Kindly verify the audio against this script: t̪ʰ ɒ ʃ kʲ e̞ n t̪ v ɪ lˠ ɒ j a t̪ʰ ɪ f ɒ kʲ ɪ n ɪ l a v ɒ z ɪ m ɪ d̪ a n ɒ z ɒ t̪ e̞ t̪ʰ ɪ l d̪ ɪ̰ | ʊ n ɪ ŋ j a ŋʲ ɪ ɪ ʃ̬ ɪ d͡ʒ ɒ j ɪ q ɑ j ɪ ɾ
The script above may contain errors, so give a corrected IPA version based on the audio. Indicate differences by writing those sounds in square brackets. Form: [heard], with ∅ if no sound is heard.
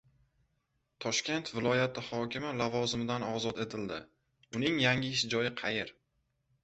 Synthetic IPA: t̪ʰ ɒ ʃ kʲ e̞ n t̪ v ɪ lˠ ɒ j a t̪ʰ ɪ [h] ɒ kʲ ɪ [m] ɪ l a v ɒ z ɪ m ɪ d̪ a n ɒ z ɒ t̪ e̞ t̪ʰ ɪ l d̪ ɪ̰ | ʊ n ɪ ŋ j a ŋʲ ɪ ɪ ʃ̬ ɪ d͡ʒ ɒ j ɪ [qʰ] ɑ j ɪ ɾ